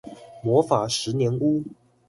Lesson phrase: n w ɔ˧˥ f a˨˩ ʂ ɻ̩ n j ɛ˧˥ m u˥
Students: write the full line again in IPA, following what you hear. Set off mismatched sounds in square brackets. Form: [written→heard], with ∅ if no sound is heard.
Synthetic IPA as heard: [n→m] w ɔ˧˥ f a˨˩ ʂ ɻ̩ n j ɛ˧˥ [m→n] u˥